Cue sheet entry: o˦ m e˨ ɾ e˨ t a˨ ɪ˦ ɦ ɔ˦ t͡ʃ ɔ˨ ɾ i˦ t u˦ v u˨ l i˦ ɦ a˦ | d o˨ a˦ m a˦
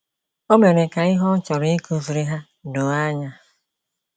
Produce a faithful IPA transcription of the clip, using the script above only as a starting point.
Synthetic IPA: o˦ m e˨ ɾ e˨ k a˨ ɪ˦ ɦ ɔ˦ t͡ʃ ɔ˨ ɾ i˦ k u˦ v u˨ ɾ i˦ ɦ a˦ | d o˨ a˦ ɲ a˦